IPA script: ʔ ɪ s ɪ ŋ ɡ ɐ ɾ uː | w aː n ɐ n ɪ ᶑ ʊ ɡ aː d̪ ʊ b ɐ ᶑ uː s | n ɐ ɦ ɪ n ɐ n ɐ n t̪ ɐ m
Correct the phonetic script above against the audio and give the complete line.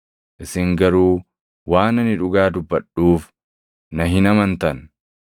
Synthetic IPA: ʔ ɪ s ɪ ŋ ɡ ɐ ɾ uː | w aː n ɐ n ɪ ᶑ ʊ ɡ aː d̪ ʊ bː ɐ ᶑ uː f | n ɐ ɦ ɪ n ɐ m ɐ n t̪ ɐ n